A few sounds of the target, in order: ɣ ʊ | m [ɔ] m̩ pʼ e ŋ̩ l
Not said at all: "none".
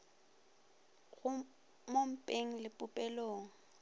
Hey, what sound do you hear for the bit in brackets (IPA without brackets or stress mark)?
o